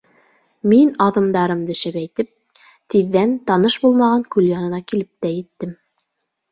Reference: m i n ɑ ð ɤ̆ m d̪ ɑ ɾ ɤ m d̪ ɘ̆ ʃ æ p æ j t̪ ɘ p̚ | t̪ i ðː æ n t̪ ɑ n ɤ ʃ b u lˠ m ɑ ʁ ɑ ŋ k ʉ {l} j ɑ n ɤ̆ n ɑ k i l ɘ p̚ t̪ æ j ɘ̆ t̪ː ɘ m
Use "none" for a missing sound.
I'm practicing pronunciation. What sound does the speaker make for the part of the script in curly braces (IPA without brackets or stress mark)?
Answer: l